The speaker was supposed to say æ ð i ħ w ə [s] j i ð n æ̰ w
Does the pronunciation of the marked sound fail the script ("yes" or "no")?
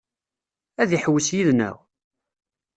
no